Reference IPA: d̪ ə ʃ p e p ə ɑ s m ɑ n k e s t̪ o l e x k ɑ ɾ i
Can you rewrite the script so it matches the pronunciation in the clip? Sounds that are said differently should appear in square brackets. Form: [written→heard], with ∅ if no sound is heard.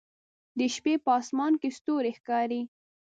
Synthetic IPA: d̪ ə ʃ p e p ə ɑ s m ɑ n k e s t̪ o [l→ɾ] e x k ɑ ɾ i